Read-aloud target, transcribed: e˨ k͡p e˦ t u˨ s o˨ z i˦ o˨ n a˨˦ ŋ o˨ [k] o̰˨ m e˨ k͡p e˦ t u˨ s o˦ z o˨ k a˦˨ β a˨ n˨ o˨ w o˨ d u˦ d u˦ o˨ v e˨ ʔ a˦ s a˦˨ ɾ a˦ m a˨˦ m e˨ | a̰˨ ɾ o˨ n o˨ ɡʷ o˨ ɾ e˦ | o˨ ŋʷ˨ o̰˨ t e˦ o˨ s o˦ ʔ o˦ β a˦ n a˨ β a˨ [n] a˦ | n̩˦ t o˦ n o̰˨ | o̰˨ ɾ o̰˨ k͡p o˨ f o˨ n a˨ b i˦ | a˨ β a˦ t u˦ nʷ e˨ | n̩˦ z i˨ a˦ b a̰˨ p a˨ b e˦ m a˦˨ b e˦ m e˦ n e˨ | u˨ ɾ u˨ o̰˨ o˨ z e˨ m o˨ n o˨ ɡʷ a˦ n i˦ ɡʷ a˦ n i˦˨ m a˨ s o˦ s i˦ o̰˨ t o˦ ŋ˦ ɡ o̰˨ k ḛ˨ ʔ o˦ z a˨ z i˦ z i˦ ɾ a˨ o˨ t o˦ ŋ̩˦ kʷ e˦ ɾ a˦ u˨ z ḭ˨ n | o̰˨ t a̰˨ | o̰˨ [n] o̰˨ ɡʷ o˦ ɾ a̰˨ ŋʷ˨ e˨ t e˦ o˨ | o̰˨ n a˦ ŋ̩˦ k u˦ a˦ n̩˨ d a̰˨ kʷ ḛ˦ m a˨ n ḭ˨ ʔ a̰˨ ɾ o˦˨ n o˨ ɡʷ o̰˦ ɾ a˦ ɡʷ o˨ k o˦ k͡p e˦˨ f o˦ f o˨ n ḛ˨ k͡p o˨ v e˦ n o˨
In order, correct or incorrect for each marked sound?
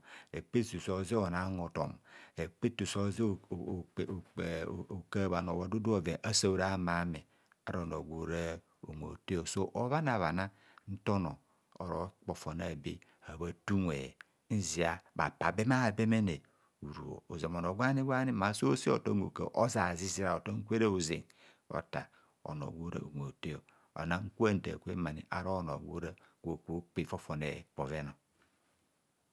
incorrect, correct, correct

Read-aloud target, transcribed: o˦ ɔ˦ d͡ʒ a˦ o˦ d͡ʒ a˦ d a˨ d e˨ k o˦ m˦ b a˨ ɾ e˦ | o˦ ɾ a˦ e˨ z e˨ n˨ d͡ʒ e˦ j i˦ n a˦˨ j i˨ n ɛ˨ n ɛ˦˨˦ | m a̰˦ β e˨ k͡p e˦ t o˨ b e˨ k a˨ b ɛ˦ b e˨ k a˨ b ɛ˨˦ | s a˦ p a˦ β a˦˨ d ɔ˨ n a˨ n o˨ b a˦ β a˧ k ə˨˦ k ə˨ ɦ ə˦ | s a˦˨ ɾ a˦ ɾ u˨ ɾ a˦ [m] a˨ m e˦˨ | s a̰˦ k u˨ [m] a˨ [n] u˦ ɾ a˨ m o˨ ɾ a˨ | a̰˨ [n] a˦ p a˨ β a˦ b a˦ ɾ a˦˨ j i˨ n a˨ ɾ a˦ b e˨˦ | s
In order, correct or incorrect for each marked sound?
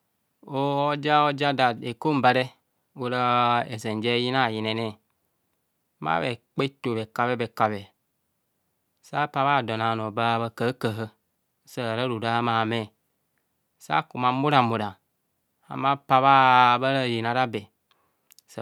correct, correct, incorrect, incorrect

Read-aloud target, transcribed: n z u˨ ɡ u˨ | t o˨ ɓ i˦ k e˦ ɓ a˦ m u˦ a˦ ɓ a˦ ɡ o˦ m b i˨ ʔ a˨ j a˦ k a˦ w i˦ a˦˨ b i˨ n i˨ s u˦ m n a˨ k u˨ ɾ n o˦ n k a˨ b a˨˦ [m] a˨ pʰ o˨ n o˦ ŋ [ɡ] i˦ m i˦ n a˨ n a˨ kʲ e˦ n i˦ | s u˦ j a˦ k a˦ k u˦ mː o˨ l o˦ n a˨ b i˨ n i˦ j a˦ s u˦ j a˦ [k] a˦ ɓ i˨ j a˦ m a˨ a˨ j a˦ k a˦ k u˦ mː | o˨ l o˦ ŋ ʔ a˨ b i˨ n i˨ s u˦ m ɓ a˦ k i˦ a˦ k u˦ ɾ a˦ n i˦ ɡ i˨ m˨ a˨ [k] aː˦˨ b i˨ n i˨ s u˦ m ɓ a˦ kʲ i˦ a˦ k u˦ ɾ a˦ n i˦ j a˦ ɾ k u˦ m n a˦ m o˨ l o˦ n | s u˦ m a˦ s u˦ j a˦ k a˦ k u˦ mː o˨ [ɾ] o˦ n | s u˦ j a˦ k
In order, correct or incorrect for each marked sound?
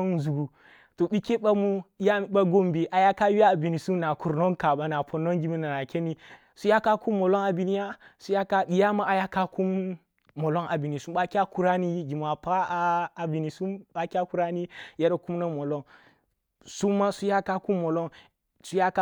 incorrect, correct, correct, incorrect, incorrect

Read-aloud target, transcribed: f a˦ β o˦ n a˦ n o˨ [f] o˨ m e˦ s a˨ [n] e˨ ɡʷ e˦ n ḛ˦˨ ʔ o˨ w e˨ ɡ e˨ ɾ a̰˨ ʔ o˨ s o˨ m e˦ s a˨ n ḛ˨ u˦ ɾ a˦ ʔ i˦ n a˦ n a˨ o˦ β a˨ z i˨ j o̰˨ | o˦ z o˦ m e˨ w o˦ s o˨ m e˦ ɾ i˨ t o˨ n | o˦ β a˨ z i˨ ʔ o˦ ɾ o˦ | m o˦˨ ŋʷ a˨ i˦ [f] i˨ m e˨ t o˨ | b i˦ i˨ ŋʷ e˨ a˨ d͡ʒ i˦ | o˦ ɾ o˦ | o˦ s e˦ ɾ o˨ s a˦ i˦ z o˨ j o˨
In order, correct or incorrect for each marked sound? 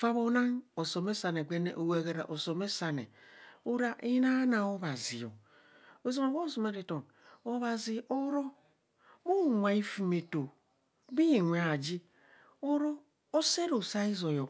incorrect, correct, correct

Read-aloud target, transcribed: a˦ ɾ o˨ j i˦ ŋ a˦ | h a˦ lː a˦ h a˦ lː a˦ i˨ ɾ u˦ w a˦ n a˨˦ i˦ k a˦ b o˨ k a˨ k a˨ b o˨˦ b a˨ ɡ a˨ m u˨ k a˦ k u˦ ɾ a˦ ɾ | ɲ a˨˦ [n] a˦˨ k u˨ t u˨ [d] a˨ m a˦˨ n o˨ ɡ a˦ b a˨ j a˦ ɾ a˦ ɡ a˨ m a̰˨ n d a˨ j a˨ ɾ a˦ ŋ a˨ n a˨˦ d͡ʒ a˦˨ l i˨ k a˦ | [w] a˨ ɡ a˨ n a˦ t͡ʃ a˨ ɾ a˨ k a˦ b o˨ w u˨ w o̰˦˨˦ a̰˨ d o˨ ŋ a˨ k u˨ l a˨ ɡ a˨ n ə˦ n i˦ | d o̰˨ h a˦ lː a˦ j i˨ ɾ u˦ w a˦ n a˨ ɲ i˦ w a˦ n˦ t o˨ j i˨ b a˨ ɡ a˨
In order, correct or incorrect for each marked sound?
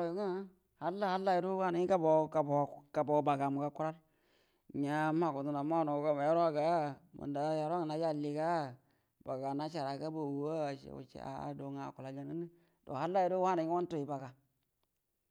incorrect, incorrect, incorrect

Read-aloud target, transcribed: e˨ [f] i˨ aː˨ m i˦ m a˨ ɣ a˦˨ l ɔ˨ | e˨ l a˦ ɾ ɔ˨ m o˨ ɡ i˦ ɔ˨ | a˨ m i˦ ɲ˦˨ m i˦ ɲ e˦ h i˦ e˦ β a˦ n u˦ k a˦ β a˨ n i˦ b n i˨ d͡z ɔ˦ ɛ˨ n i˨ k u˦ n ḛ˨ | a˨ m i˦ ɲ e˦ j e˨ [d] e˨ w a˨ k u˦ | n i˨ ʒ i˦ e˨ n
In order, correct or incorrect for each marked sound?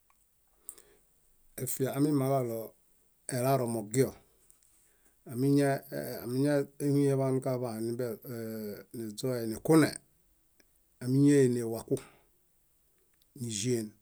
correct, incorrect

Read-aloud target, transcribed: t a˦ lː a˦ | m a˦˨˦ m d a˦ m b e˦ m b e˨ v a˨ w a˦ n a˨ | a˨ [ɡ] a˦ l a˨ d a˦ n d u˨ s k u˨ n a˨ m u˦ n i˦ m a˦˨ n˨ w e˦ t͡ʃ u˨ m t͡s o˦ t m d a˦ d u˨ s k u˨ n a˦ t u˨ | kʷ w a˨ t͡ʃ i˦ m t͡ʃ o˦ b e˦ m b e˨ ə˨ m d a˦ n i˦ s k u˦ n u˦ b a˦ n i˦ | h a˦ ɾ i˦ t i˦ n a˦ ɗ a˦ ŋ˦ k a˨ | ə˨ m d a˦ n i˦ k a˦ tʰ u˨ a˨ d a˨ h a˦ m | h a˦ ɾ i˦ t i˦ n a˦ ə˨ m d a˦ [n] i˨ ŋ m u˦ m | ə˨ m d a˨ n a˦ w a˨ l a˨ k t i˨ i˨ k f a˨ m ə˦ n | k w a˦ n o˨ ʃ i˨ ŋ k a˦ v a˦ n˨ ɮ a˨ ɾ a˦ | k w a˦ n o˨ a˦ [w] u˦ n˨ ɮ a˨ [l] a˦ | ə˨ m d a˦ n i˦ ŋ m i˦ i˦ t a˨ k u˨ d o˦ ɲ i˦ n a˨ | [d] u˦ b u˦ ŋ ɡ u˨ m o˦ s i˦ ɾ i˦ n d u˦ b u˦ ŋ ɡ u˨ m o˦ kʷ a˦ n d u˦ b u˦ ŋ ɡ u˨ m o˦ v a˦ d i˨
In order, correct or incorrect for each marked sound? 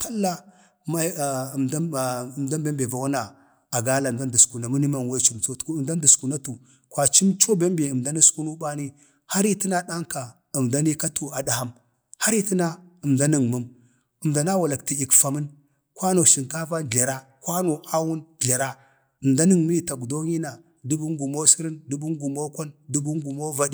correct, correct, correct, incorrect, correct

